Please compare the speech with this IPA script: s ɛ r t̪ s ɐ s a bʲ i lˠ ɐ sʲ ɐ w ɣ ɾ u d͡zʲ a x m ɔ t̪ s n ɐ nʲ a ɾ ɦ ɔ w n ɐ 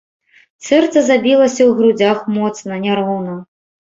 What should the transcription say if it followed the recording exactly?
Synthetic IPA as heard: s ɛ r t̪ s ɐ z a bʲ i lˠ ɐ sʲ ɐ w ɣ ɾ u d͡zʲ a x m ɔ t̪ s n ɐ nʲ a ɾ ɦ ɔ w n ɐ